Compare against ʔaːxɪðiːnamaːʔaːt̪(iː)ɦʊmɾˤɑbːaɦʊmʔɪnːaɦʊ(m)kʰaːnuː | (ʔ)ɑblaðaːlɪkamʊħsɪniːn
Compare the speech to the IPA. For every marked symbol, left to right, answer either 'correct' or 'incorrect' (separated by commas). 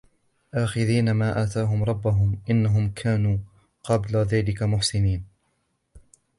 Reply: incorrect, correct, incorrect